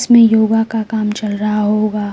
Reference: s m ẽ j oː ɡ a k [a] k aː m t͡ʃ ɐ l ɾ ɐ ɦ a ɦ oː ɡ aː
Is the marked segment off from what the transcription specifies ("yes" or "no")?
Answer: no